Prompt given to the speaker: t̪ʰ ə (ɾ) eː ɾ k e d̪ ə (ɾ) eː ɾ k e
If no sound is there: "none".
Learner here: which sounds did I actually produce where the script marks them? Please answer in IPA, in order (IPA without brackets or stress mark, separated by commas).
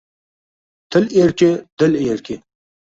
l, l